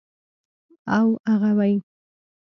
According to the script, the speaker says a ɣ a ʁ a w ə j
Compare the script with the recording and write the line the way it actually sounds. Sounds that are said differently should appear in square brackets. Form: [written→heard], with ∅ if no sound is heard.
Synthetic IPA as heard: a [ɣ→w] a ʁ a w [ə→a] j